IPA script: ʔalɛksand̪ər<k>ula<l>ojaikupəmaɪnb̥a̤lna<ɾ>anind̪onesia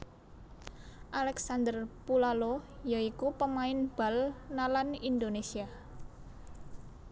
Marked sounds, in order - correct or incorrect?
incorrect: p, correct, incorrect: l

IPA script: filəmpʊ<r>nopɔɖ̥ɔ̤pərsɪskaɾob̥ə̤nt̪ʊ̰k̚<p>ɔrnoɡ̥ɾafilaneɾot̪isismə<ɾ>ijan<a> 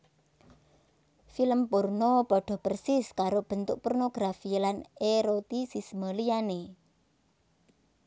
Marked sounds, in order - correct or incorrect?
correct, correct, incorrect: l, incorrect: e

